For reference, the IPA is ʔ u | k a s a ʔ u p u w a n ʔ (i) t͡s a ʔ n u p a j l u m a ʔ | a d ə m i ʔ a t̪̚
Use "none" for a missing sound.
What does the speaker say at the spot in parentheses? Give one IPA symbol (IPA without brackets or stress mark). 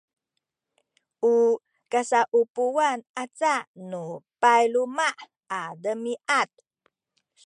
a